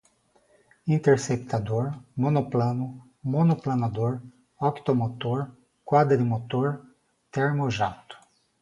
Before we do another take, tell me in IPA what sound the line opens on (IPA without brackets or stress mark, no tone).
ĩ